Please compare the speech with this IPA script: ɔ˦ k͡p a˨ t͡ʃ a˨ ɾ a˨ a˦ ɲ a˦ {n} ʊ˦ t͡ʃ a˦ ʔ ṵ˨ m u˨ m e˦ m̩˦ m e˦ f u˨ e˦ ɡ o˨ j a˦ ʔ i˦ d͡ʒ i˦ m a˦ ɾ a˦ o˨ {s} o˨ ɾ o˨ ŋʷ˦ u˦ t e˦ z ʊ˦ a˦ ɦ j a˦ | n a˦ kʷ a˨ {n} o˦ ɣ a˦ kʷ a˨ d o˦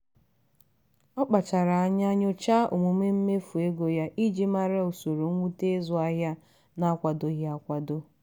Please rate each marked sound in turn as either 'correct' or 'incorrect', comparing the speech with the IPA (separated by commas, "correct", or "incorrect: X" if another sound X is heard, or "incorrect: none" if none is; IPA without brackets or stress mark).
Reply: incorrect: ɲ, correct, incorrect: d